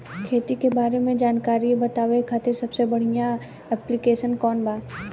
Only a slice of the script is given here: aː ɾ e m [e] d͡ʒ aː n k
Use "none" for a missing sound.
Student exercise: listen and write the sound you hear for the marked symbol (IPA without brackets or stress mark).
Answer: ẽ